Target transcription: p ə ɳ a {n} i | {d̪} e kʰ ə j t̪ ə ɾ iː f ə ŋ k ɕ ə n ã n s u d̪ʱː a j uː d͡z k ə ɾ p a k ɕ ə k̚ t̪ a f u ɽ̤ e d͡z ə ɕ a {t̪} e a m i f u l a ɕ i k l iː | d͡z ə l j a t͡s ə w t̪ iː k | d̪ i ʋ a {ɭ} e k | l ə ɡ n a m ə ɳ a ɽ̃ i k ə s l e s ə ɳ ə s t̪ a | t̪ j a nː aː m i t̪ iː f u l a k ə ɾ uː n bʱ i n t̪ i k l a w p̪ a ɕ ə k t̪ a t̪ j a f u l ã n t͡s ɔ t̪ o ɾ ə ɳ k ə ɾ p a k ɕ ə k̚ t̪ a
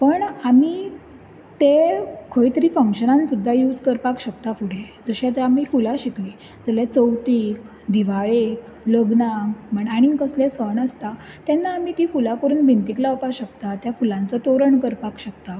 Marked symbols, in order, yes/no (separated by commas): no, no, yes, yes